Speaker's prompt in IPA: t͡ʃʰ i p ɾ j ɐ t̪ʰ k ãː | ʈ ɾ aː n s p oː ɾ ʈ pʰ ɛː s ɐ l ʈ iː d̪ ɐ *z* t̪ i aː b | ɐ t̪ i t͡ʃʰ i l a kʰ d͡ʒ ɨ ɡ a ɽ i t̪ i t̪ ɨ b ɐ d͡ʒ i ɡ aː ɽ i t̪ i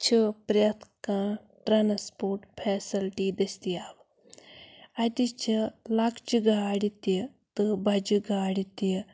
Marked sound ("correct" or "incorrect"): incorrect